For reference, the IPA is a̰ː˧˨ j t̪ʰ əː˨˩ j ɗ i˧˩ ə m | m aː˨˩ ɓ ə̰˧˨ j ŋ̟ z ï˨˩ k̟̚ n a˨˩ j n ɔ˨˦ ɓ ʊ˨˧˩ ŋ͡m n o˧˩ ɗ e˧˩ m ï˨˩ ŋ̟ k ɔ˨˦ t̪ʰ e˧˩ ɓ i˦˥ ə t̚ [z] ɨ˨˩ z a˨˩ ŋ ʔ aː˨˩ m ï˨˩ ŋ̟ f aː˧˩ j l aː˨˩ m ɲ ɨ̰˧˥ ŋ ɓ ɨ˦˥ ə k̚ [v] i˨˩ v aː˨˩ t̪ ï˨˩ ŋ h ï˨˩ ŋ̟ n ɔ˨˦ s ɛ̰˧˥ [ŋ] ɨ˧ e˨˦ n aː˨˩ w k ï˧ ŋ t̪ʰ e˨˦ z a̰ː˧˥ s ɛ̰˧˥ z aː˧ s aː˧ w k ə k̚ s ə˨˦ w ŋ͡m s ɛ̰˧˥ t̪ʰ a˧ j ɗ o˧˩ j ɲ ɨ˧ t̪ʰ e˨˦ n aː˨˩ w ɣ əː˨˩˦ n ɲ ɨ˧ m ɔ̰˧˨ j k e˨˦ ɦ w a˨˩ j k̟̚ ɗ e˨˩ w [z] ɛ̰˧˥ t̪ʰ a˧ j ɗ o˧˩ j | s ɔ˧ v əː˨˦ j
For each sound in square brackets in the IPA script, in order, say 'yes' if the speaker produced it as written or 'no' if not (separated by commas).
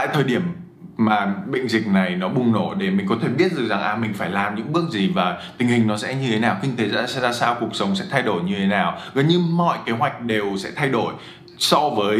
yes, no, no, no